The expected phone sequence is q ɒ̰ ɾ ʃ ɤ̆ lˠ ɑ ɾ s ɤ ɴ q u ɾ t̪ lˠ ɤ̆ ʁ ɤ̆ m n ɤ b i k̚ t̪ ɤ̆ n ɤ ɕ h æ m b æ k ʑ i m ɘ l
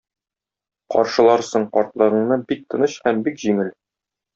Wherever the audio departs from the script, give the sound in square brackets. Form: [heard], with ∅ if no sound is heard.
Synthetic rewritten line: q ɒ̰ ɾ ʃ ɤ̆ lˠ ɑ ɾ s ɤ ɴ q [ɒ] ɾ t̪ lˠ ɤ̆ ʁ ɤ̆ [ɴ] n ɤ b i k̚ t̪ ɤ̆ n ɤ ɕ h æ m b [i] k ʑ i [ŋ] ɘ l